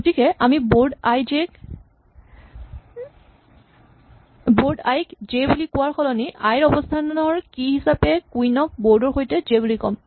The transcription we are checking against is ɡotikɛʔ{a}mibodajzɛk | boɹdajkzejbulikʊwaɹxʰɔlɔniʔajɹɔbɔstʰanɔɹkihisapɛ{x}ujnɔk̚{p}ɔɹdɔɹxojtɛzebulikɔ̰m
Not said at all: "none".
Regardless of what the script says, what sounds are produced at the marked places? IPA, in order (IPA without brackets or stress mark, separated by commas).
a, k, b